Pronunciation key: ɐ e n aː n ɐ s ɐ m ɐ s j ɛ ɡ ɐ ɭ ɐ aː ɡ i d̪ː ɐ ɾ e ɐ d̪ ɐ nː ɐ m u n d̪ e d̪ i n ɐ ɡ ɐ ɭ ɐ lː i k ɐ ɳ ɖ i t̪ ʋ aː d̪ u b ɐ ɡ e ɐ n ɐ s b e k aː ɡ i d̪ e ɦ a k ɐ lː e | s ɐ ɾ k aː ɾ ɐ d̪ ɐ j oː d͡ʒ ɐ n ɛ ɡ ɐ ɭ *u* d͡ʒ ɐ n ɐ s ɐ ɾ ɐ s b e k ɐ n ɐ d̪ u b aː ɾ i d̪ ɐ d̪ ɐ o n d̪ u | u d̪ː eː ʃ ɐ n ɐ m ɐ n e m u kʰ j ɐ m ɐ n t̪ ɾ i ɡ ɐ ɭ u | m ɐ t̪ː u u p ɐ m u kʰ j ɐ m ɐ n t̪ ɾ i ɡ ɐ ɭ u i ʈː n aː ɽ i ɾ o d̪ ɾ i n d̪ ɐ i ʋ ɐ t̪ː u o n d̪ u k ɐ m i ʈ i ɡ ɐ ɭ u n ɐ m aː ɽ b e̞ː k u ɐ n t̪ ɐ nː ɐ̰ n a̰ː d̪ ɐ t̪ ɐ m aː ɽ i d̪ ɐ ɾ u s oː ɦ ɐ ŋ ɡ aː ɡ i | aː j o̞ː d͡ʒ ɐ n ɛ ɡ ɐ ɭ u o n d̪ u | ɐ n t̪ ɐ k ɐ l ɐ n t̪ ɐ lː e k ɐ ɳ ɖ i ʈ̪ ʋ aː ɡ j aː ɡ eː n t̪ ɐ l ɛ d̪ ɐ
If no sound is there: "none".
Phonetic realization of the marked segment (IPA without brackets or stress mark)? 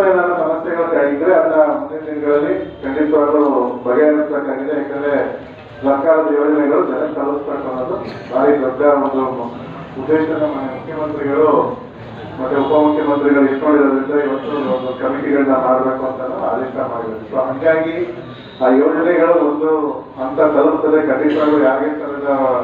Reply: u